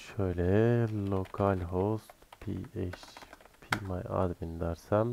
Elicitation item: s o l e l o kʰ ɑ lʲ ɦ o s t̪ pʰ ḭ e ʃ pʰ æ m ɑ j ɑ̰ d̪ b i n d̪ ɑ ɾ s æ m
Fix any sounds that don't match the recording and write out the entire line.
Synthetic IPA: ʃ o l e l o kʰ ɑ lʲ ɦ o s t̪ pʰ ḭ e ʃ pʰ i m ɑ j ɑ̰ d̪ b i n d̪ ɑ ɾ s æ m